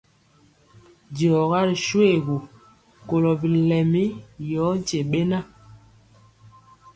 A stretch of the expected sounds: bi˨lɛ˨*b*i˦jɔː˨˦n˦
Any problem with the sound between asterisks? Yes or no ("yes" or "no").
yes